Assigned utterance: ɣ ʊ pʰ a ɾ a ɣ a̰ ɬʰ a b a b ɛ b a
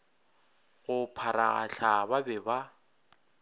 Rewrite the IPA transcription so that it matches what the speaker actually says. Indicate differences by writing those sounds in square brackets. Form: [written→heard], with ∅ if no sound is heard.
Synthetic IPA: ɣ ʊ pʰ a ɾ a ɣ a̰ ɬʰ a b a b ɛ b a